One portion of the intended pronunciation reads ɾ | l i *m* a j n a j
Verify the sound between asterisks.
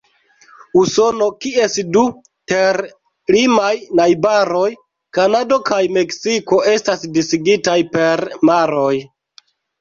correct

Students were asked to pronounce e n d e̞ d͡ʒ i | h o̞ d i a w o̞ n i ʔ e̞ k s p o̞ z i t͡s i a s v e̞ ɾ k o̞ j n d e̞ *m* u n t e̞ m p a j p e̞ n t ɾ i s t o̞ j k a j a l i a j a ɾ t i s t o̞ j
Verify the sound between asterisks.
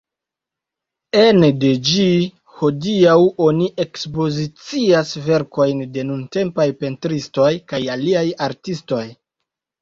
incorrect: n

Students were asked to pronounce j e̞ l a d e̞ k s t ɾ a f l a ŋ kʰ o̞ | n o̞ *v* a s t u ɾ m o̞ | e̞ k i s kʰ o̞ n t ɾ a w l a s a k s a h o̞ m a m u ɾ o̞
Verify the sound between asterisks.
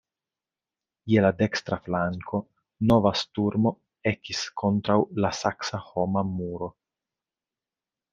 correct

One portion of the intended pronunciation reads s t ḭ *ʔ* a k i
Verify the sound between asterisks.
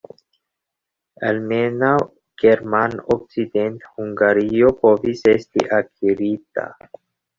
correct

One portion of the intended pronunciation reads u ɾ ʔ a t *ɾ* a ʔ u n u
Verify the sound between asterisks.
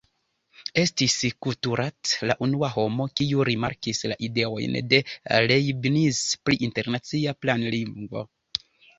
incorrect: l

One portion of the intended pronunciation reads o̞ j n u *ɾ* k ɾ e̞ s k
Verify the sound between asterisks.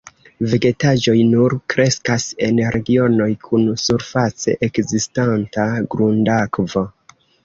correct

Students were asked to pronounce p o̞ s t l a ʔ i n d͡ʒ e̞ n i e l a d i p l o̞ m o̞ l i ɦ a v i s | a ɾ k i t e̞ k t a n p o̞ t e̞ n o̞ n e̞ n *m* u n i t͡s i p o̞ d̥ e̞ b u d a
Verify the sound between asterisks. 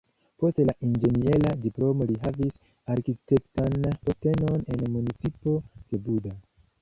correct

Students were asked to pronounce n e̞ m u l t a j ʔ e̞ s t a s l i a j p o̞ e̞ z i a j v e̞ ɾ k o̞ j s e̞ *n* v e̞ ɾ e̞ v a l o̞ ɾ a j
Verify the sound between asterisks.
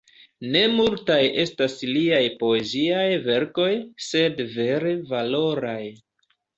incorrect: d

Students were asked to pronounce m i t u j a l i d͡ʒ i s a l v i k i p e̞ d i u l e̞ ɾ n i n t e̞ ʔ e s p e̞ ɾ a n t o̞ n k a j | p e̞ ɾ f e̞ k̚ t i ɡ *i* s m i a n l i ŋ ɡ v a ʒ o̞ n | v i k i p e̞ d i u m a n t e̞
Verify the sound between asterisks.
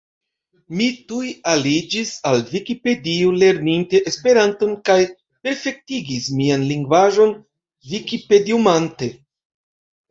correct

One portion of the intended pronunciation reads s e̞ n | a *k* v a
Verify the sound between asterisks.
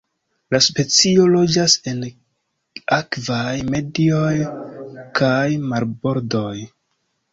correct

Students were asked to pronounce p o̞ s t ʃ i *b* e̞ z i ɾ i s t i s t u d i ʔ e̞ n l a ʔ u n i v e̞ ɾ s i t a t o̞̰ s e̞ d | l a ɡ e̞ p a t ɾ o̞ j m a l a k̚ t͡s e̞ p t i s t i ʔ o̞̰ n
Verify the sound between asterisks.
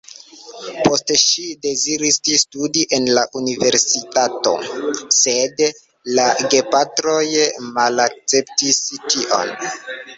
incorrect: d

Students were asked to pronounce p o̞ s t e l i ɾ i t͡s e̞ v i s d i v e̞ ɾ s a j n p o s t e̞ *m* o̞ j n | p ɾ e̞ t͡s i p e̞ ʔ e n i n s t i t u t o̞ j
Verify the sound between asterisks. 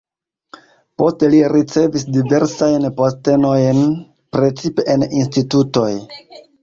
incorrect: n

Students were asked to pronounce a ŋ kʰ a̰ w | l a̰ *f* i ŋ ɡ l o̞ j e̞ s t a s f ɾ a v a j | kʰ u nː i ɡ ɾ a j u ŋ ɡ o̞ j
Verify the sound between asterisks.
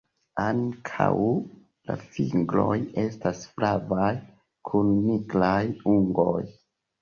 correct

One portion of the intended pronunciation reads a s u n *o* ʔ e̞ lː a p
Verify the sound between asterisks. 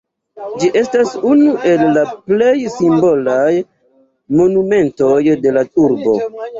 incorrect: u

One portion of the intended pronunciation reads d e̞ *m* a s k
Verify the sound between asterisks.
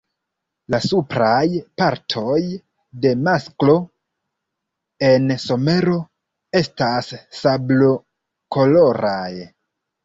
correct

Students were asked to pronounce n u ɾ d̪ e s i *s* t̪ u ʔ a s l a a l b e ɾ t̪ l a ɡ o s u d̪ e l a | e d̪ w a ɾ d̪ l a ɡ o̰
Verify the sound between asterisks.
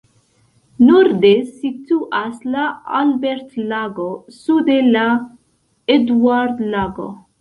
incorrect: none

